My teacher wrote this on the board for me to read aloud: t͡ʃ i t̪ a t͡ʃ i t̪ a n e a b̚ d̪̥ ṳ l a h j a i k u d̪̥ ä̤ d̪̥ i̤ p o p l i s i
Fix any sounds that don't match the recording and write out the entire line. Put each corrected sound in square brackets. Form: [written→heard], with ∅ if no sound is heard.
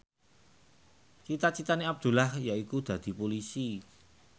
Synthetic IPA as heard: t͡ʃ i t̪ a t͡ʃ i t̪ a n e a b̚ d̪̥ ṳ l a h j a i k u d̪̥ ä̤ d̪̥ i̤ p o [p→∅] l i s i